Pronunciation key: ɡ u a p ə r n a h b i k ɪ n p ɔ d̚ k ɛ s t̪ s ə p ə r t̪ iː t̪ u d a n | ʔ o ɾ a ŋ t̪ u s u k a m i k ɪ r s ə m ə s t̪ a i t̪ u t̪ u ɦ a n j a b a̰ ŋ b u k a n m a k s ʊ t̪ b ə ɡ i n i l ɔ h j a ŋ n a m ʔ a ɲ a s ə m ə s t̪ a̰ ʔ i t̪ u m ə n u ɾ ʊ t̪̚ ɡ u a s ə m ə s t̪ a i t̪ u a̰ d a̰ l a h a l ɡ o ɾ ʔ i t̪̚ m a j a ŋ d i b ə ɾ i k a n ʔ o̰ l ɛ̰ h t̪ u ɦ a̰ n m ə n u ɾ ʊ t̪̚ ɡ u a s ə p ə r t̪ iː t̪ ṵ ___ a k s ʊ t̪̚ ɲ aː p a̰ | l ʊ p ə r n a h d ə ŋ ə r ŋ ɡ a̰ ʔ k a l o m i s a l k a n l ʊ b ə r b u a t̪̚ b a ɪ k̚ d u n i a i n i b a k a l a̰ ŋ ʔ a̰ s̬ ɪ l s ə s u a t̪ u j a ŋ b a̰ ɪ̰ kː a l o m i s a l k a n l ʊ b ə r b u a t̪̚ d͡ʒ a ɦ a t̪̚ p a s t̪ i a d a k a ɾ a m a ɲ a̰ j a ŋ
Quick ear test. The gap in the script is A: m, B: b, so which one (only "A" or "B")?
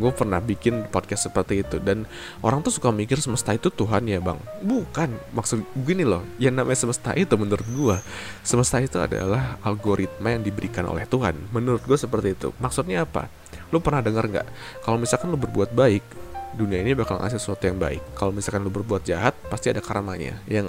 A